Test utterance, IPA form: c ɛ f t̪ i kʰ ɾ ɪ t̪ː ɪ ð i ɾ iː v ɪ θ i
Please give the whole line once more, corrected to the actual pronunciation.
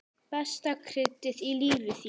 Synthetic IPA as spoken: p ɛ s t̪ a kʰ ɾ ɪ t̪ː ɪ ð i l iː v ɪ θ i